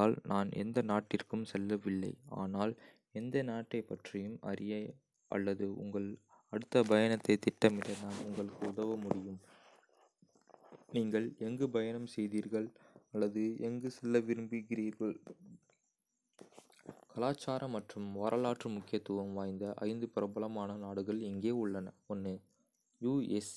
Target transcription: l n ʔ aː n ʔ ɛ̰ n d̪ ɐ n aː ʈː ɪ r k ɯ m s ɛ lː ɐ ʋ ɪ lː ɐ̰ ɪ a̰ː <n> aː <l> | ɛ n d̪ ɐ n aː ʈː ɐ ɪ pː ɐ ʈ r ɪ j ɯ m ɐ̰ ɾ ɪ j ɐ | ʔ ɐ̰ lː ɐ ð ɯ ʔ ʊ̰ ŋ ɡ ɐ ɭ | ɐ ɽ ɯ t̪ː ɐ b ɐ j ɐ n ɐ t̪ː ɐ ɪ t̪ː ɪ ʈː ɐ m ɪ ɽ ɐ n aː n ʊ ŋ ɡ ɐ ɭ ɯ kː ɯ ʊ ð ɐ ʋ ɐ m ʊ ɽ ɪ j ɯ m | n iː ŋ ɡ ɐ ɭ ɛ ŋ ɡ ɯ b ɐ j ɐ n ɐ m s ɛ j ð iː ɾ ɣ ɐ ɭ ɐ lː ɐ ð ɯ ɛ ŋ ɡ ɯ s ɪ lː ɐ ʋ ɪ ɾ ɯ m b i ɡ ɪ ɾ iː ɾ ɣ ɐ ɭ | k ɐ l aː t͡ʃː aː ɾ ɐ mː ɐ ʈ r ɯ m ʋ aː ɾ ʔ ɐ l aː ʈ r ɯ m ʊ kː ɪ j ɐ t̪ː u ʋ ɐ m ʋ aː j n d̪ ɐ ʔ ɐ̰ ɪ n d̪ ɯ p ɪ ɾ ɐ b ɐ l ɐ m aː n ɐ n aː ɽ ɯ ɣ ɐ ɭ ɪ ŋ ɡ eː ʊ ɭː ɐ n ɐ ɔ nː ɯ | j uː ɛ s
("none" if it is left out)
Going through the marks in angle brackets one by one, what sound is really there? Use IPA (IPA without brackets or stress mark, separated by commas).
n, l